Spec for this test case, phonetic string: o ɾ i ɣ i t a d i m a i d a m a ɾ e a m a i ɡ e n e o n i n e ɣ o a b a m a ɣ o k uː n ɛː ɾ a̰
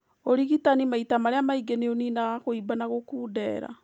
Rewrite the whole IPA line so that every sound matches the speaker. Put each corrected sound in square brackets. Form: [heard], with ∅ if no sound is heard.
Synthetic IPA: o ɾ i ɣ i t a [n] i m a i [t] a m a ɾ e a m a i ɡ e n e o n i n [a] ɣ o [i] b a [n] a ɣ o k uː [d] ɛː ɾ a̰